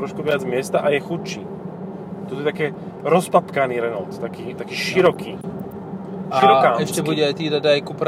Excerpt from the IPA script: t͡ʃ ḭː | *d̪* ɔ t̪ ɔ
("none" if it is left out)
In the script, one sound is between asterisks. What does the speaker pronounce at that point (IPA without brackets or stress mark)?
t̪